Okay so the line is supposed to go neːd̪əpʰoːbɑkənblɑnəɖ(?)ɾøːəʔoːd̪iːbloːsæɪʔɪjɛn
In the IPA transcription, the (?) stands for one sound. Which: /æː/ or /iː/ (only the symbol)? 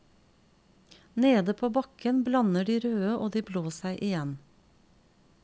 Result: iː